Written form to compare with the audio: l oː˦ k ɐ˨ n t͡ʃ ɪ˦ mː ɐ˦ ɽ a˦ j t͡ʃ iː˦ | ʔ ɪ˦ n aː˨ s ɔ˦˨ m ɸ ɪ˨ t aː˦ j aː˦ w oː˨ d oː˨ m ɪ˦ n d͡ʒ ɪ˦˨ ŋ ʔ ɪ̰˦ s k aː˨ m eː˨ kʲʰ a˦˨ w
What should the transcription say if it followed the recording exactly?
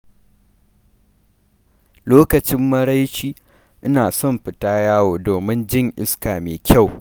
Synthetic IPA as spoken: l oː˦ k ɐ˨ t͡ʃ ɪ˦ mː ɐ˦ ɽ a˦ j t͡ʃ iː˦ | ʔ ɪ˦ n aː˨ s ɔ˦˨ m ɸ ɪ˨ t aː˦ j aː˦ w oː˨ d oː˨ m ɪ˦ n d͡ʒ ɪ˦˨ ŋ ʔ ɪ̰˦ s k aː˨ m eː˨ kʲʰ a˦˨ w